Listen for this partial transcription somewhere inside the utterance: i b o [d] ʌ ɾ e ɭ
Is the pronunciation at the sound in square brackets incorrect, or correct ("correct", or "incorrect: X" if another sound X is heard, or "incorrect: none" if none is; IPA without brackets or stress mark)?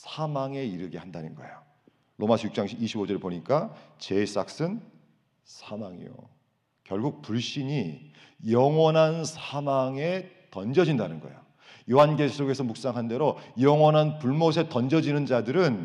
incorrect: d͡ʑ